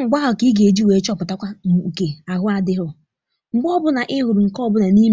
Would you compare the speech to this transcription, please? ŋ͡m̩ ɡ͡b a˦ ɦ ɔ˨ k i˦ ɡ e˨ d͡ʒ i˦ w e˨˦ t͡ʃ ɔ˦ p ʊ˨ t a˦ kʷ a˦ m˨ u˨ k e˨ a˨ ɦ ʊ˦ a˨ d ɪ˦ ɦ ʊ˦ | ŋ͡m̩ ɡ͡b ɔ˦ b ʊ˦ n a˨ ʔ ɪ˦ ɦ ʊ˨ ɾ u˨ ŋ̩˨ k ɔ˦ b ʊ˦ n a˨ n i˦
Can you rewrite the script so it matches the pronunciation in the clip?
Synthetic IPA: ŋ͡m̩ ɡ͡b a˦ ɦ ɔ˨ k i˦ ɡ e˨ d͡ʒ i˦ w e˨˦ t͡ʃ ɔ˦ p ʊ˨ t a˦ kʷ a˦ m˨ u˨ k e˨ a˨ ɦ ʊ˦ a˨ d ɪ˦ ɦ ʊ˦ | ŋ͡m̩ ɡ͡b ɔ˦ b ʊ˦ n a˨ ʔ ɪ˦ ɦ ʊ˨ ɾ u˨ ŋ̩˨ k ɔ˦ b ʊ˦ n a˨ n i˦